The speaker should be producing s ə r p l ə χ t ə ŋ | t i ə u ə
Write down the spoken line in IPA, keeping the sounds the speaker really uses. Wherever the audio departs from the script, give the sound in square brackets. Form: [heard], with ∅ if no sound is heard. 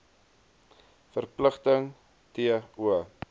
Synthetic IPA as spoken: [f] ə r p l ə χ t ə ŋ | t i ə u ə

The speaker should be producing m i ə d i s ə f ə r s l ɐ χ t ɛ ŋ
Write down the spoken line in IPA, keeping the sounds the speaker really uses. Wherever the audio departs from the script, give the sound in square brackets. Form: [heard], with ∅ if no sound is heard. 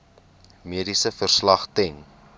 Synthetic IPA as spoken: m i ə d i s ə f ə r s l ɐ χ t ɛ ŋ

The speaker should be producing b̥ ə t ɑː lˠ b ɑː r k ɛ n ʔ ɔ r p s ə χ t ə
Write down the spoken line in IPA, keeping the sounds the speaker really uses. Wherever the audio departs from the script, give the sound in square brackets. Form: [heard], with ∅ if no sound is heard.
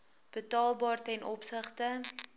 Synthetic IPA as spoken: b̥ ə t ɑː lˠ b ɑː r [t] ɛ n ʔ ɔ [∅] p s ə χ t ə

